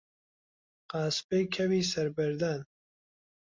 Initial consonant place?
uvular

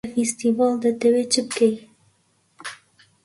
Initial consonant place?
labial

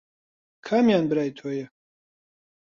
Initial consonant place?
velar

